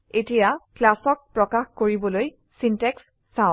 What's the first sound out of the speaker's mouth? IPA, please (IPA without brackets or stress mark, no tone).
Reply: e